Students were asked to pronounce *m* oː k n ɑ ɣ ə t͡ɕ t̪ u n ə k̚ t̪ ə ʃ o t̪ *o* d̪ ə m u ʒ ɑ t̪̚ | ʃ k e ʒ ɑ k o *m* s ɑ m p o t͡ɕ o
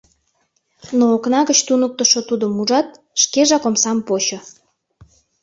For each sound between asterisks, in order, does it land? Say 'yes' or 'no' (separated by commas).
no, no, yes